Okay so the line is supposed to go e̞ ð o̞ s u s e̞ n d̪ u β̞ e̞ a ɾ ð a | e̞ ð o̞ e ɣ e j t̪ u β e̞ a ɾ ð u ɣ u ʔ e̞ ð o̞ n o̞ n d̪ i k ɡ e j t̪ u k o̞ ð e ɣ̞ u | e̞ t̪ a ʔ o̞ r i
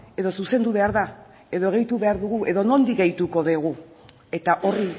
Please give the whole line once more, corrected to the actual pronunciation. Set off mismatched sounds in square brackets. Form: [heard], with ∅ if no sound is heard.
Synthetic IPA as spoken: e̞ ð o̞ s u s e̞ n d̪ u β̞ e̞ a ɾ ð a | e̞ ð o̞ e ɣ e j t̪ u β e̞ a ɾ ð u ɣ u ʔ e̞ ð o̞ n o̞ n d̪ i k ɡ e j t̪ u k o̞ ð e ɣ̞ u | e̞ t̪ a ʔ o̞ r i